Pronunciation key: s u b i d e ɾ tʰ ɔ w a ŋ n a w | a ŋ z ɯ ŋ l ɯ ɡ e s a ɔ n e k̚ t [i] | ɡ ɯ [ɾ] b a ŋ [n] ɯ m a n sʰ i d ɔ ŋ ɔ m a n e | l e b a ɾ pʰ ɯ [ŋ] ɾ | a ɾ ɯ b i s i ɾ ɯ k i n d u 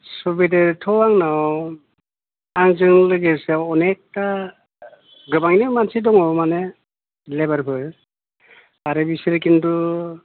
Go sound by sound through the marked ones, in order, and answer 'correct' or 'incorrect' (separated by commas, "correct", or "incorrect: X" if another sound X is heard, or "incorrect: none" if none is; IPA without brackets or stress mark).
incorrect: a, incorrect: none, correct, incorrect: none